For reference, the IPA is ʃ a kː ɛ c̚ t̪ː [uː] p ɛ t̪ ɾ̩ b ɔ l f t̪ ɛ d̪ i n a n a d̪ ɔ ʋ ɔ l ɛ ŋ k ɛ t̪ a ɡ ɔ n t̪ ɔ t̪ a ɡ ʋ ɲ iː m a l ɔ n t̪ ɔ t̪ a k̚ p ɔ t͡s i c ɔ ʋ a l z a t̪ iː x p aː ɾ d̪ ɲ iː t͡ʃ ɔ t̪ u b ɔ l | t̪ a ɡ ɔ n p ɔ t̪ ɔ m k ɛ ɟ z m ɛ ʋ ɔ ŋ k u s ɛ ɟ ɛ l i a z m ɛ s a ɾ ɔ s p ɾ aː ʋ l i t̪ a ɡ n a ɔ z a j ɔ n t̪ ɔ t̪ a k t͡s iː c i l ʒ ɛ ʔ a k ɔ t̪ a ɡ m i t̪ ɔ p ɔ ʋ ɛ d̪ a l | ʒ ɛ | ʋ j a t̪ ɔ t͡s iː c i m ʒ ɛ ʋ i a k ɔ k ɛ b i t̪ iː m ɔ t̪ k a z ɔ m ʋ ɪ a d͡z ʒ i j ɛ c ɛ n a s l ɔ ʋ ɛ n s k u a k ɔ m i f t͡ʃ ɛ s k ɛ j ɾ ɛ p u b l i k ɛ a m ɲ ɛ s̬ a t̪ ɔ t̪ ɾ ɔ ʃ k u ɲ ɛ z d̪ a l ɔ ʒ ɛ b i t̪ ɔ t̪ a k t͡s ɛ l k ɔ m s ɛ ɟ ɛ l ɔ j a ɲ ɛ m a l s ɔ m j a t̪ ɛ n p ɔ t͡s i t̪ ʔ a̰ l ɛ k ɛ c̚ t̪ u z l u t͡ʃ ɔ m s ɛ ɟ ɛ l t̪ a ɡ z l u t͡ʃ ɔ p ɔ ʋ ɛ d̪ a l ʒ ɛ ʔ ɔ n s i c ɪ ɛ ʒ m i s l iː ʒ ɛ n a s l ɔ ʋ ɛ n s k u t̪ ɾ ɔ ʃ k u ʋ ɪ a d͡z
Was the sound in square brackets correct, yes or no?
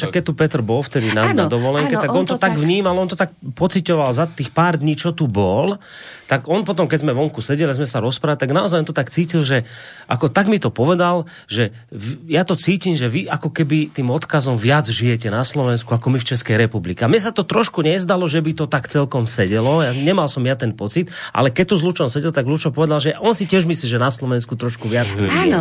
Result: no